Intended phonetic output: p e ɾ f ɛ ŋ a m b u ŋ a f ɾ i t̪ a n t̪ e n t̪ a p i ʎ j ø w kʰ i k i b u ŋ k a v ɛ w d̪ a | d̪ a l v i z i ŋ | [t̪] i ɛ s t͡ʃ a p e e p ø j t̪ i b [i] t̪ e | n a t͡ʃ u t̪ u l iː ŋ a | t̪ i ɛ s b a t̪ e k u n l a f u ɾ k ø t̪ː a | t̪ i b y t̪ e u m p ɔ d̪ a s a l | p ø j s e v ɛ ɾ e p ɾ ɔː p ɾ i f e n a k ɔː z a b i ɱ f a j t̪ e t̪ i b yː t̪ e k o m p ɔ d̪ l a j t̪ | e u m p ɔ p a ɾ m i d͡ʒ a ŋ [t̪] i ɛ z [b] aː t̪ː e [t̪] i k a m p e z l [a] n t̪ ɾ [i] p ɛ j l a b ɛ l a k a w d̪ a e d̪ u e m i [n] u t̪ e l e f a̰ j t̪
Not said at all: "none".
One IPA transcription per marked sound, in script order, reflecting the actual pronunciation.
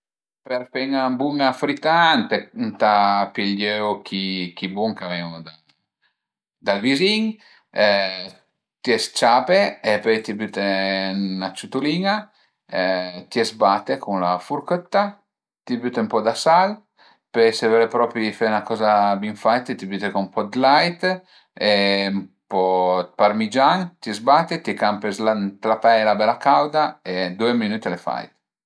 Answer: t̪, y, t̪, b, t̪, a, a, n

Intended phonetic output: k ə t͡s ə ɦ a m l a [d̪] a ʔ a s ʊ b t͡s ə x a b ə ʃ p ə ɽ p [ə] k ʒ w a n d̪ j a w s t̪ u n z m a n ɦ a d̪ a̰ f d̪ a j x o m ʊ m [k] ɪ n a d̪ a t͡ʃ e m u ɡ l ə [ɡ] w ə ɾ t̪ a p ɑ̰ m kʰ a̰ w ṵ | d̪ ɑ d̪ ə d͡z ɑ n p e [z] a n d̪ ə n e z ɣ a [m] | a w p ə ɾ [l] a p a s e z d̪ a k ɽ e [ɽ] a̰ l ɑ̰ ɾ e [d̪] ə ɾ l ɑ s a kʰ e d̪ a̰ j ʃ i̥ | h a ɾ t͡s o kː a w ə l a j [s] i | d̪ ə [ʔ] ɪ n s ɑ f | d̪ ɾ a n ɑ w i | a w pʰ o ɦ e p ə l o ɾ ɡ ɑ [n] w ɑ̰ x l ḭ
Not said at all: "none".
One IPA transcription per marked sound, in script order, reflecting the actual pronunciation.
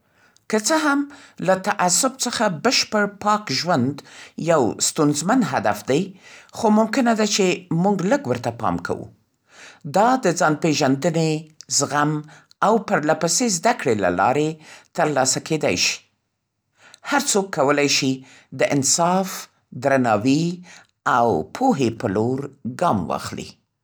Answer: t̪, ɑ, k, ɡ, ʒ, m, l, l, t̪, ʃ, ʔ, m

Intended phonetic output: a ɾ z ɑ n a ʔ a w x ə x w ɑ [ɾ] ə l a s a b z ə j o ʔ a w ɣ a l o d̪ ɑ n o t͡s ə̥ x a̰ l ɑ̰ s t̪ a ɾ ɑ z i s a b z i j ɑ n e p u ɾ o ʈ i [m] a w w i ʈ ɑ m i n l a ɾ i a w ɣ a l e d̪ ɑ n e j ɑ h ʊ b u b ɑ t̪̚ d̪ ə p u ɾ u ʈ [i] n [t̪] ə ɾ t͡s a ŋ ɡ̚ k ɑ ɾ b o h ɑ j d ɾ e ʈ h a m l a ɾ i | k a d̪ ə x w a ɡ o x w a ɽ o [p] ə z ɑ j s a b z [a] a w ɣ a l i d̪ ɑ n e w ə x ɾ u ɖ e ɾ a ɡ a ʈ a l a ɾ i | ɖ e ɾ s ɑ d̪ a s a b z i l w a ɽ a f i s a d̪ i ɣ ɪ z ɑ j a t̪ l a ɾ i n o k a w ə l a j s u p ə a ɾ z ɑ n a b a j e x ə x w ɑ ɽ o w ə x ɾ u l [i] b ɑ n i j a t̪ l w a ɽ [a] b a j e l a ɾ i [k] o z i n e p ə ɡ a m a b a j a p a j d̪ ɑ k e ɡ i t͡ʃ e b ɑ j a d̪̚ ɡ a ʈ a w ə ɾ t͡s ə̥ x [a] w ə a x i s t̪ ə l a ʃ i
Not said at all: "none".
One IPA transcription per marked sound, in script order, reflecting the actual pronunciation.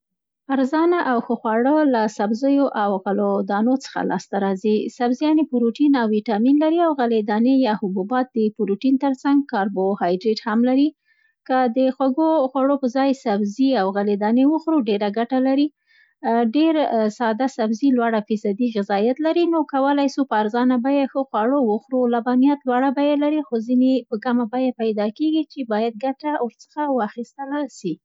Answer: ɽ, n, i, t̪, p, i, a, a, x, a

